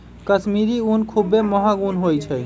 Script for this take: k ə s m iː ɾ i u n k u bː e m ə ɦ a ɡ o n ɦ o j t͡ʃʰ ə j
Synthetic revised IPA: k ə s m i ɾ i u n kʰ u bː e m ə ɦ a ɡ u n ɦ o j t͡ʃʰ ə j